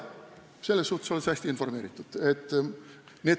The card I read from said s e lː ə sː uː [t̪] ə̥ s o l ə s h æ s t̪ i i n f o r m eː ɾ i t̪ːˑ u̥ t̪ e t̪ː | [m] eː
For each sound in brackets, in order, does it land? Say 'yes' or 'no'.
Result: yes, no

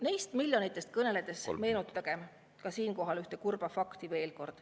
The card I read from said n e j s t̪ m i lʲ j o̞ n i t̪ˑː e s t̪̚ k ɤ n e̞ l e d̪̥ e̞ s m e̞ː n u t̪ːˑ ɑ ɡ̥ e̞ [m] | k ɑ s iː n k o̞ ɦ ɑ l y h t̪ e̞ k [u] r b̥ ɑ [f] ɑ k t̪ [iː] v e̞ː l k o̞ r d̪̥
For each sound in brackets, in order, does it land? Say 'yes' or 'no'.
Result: yes, yes, yes, no

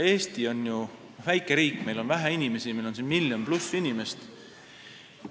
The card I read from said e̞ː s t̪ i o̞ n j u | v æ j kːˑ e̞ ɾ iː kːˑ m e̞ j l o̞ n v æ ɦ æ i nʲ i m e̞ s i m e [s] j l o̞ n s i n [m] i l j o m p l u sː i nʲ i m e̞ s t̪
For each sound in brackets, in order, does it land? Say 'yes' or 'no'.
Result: no, yes

